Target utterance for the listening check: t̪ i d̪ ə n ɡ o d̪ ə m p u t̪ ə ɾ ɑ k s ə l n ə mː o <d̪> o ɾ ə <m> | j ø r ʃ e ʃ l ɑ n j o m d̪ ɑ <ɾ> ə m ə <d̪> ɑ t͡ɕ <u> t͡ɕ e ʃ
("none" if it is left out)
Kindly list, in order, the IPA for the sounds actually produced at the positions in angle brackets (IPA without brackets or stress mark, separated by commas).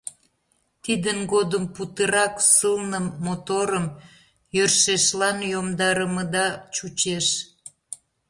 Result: t̪, m, ɾ, d̪, u